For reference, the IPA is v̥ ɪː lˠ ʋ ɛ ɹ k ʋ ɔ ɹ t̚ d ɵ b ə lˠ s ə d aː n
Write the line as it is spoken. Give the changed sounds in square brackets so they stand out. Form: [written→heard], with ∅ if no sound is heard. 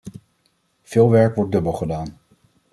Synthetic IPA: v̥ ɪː lˠ ʋ ɛ ɹ k ʋ ɔ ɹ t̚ d ɵ b ə lˠ [s→χ] ə d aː n